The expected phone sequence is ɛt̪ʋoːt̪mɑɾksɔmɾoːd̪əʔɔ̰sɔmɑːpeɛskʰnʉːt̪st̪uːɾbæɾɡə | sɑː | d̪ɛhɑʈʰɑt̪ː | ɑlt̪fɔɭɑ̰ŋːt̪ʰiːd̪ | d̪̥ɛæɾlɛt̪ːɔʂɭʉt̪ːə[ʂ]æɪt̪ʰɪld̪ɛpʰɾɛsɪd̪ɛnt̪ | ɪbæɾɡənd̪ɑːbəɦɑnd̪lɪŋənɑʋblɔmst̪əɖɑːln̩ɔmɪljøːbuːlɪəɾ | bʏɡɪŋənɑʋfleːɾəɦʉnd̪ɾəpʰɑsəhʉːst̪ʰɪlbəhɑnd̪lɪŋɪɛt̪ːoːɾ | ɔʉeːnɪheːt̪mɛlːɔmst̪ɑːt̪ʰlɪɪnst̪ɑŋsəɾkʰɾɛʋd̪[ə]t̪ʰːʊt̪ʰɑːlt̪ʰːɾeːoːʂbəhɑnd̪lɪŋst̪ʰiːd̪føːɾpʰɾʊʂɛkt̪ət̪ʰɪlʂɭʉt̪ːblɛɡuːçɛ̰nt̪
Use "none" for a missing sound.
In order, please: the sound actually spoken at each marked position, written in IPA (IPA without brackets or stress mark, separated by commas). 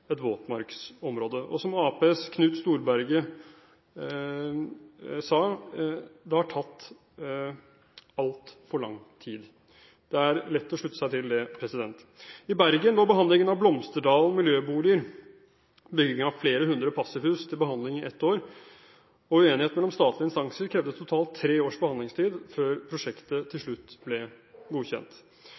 s, ə